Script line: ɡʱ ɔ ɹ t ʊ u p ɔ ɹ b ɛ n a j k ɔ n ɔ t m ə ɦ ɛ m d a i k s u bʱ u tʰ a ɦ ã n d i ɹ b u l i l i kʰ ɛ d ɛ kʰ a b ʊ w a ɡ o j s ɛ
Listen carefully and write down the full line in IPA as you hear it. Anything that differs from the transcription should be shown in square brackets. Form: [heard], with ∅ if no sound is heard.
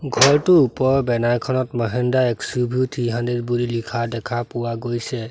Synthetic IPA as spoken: ɡʱ ɔ ɹ t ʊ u p ɔ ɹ b ɛ n a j [kʰ] ɔ n ɔ t m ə ɦ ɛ [n] d a [ɛ] k s u bʱ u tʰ [i] ɦ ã n d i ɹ b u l i l i kʰ [a] d ɛ kʰ a [p] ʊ w a ɡ o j s ɛ